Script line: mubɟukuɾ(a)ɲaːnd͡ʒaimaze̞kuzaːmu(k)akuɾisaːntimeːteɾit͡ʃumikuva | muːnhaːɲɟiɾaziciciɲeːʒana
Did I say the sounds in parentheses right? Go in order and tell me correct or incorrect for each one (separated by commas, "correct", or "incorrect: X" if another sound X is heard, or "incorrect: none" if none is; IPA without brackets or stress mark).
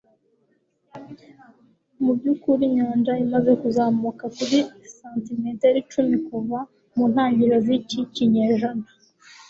incorrect: i, correct